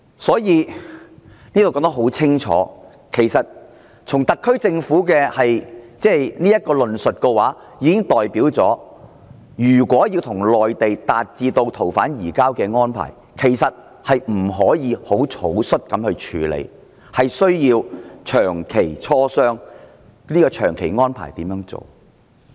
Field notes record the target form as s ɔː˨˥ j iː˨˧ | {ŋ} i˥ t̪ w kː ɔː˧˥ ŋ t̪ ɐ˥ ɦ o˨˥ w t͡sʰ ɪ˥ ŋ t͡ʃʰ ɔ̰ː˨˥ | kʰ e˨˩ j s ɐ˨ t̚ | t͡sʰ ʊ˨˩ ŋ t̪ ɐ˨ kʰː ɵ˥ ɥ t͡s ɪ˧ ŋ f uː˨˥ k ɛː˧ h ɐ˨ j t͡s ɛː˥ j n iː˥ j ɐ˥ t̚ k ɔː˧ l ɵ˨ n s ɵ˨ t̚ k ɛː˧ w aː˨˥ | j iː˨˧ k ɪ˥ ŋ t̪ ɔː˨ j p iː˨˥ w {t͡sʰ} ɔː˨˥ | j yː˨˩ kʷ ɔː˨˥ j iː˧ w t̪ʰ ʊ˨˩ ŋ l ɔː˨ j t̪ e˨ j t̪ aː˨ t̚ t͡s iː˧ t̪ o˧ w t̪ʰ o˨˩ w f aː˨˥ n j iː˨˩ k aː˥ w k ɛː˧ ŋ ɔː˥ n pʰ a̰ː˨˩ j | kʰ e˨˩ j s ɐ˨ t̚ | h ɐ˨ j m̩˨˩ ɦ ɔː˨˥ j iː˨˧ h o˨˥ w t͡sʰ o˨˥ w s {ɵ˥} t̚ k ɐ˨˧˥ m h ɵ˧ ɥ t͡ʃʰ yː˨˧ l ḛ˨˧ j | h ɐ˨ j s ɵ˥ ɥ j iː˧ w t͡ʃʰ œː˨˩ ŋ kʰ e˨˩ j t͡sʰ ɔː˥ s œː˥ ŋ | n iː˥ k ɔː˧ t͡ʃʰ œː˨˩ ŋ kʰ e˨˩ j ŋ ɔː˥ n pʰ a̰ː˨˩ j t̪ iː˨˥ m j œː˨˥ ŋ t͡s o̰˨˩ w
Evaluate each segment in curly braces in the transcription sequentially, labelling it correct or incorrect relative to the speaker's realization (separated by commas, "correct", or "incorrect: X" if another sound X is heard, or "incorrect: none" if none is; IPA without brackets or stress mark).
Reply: incorrect: n, incorrect: t͡s, correct